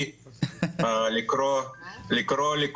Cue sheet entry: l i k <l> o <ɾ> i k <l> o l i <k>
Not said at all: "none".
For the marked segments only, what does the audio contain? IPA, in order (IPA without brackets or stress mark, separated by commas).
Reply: ɾ, l, ɾ, k